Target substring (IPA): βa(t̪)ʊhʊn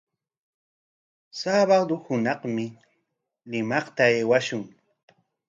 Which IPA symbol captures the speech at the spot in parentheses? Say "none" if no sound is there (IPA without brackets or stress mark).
d̪